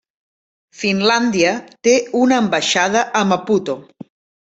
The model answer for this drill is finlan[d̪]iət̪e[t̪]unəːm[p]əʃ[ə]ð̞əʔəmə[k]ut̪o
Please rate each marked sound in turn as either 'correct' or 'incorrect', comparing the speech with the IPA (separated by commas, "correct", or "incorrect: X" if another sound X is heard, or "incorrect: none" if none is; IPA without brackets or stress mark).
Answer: correct, incorrect: none, incorrect: b, incorrect: a, incorrect: p